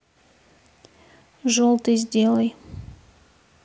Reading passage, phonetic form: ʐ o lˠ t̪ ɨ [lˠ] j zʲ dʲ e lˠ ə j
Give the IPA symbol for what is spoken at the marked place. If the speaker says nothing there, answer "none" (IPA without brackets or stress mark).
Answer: none